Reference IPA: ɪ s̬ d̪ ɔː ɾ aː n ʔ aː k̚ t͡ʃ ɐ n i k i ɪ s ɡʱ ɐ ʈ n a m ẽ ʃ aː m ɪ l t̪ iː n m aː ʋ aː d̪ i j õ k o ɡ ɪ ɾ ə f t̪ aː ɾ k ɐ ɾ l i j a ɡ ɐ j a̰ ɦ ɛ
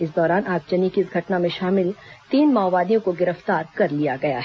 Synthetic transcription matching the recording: ɪ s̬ d̪ ɔː ɾ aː n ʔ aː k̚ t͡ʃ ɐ n i k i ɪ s ɡʱ ɐ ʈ n a m ẽ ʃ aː m ɪ l t̪ iː n m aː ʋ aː d̪ i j õ k o ɡ ɪ ɾ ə f t̪ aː ɾ k ɐ ɾ l i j a ɡ ɐ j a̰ ɦ ɛ